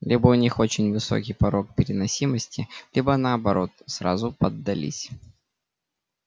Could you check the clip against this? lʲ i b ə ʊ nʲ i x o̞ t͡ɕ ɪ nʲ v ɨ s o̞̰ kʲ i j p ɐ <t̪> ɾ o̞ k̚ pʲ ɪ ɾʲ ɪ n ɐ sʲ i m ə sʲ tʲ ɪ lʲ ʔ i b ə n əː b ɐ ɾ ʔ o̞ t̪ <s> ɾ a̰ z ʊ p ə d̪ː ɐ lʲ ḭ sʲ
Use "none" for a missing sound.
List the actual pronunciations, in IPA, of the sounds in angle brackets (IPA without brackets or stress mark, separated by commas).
none, s